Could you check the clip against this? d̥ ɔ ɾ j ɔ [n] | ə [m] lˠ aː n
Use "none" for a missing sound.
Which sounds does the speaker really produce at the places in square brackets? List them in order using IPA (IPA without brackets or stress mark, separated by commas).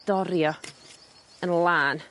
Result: none, n